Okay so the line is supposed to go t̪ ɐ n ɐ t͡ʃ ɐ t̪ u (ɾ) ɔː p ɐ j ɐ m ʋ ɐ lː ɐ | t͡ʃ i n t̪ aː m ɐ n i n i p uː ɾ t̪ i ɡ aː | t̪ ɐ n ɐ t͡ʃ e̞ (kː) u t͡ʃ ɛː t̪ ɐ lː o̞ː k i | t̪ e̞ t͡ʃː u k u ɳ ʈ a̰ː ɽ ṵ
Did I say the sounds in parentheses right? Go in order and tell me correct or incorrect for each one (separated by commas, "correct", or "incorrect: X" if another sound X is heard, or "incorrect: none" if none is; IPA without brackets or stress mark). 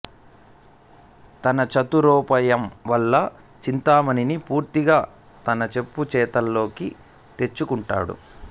correct, incorrect: pː